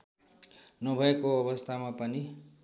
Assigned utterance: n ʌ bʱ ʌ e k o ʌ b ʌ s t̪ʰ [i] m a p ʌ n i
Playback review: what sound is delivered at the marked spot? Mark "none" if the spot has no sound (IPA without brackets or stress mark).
a